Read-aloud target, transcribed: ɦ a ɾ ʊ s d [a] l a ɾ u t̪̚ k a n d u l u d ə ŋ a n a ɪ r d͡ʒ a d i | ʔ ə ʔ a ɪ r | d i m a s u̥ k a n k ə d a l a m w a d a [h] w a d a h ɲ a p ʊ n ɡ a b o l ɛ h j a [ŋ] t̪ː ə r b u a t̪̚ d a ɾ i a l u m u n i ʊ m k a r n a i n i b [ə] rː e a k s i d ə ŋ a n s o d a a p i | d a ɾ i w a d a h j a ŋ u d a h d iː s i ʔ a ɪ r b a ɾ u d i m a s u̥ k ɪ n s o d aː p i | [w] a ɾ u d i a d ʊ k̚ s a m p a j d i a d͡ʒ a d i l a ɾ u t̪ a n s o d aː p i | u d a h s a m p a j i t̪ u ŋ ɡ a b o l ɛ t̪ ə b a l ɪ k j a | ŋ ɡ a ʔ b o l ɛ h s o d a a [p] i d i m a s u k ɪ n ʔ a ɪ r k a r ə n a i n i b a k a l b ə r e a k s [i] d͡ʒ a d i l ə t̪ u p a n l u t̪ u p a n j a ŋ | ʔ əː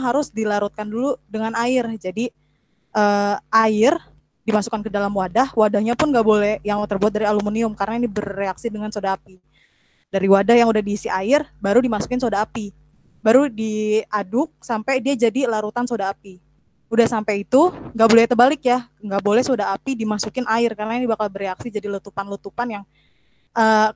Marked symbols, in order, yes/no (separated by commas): no, yes, yes, yes, no, yes, yes